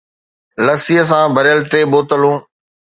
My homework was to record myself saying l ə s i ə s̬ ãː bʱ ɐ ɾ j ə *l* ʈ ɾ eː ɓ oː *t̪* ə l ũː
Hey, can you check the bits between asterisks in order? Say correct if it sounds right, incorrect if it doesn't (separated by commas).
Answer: correct, correct